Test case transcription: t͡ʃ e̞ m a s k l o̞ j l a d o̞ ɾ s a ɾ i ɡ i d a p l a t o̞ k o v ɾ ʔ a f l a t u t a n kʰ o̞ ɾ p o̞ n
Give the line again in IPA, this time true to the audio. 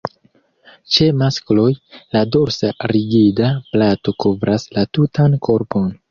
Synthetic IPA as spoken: t͡ʃ e̞ m a s k l o̞ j l a d o̞ ɾ s a ɾ i ɡ i d a p l a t o̞ k o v ɾ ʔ a s l a t u t a n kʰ o̞ ɾ p o̞ n